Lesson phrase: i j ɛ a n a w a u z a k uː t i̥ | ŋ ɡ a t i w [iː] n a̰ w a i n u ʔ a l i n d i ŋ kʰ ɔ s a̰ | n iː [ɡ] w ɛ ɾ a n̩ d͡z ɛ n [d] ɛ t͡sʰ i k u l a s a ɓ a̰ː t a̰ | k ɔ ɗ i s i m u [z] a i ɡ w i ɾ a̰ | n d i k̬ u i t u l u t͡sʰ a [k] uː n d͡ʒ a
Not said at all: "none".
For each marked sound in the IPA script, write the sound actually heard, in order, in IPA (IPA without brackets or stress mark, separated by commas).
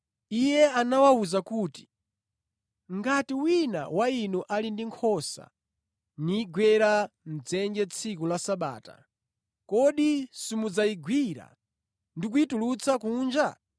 i, ɡ, d͡ʒ, d͡z, k